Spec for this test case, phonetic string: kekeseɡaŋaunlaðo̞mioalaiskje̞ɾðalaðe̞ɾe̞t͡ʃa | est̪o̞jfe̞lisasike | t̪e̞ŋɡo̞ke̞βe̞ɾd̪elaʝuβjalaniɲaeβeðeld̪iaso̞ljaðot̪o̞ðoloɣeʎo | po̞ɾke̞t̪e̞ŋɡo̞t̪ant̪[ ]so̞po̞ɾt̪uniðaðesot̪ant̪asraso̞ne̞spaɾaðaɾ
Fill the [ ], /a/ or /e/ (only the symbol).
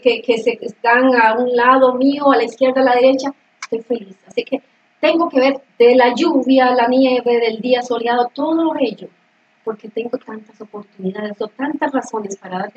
a